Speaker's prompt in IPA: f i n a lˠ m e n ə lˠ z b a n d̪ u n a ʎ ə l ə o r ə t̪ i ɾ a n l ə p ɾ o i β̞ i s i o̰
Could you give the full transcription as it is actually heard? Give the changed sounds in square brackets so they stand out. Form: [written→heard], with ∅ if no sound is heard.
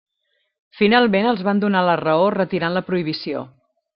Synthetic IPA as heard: f i n a lˠ m e n ə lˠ z [b→β] a n d̪ u n a [ʎ→l] ə [l→r] ə o r ə t̪ i ɾ a n l ə p ɾ [o→u] i β̞ i s i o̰

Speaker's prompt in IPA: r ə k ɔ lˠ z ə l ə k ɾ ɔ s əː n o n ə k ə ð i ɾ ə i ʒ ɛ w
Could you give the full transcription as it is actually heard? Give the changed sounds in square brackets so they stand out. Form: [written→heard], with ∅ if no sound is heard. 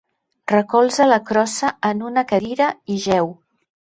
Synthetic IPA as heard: r ə k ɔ lˠ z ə l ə k ɾ ɔ s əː n [o→u] n ə k ə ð i ɾ ə i ʒ ɛ w

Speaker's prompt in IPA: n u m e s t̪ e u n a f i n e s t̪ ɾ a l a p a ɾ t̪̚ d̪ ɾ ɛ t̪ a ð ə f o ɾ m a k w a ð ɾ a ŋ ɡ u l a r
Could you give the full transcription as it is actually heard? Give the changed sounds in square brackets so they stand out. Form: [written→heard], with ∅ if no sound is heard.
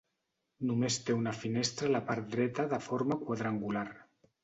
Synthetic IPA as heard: n u m e s t̪ e u n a f i n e s t̪ ɾ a l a p a ɾ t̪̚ d̪ ɾ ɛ t̪ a ð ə f o ɾ m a k w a ð ɾ a ŋ ɡ u l a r

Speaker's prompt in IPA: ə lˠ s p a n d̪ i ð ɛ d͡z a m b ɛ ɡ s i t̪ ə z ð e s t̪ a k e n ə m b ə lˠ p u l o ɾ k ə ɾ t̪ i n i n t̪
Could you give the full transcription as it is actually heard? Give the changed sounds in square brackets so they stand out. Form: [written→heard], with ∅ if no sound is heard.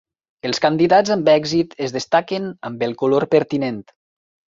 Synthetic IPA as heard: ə lˠ s [p→k] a n d̪ i ð [ɛ→a] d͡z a m b ɛ ɡ [s→z] i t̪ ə z ð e s t̪ a k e n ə m b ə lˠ [p→k] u l o ɾ [k→p] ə ɾ t̪ i n [i→e] n t̪

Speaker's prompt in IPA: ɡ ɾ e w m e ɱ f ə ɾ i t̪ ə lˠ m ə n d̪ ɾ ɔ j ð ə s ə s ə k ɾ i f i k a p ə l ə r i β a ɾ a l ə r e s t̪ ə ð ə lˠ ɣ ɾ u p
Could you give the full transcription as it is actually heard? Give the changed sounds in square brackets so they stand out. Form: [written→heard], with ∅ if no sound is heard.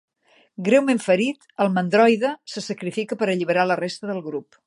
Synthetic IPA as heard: ɡ ɾ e w m e ɱ f ə ɾ i t̪ ə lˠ m ə n d̪ ɾ ɔ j ð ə s ə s ə k ɾ i f i k [a→ə] p ə [l→ɾ] ə [r→ʎ] i β [a→ə] ɾ a l ə r e s t̪ ə ð ə lˠ ɣ ɾ u p

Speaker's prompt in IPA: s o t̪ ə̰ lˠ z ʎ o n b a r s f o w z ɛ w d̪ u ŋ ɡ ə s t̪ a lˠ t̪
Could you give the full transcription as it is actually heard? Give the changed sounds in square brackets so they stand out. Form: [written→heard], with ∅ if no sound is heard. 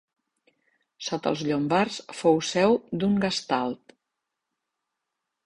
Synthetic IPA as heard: s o t̪ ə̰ lˠ z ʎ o [n→m] b a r s f o w [z→s] ɛ w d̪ u ŋ ɡ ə s t̪ a lˠ t̪

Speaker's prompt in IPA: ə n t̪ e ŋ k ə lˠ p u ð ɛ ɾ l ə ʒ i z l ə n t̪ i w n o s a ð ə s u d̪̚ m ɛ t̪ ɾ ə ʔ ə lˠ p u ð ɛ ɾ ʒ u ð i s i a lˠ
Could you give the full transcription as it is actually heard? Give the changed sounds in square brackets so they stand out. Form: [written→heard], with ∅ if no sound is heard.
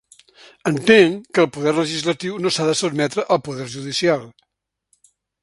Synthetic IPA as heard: ə n t̪ e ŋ k ə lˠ p u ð ɛ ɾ l ə ʒ i z l ə [n→∅] t̪ i w n o s a ð ə s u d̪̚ m ɛ t̪ ɾ ə ʔ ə lˠ p u ð ɛ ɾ ʒ u ð i s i a lˠ

